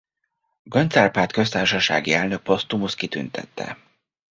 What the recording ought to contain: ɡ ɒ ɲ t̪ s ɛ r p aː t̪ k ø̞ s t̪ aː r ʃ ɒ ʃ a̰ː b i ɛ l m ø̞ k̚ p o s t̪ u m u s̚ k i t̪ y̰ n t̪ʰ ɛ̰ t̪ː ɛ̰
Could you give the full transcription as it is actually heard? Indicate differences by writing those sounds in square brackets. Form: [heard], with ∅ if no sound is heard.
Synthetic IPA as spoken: ɡ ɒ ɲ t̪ s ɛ r p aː t̪ k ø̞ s t̪ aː r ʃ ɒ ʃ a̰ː [ɡ] i ɛ l [n] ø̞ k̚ p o s t̪ u m u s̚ k i t̪ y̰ n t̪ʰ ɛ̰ t̪ː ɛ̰